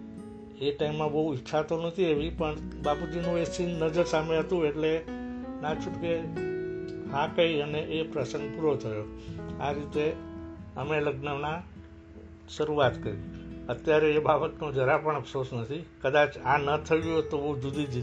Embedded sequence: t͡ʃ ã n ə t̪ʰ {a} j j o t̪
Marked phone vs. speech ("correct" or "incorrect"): incorrect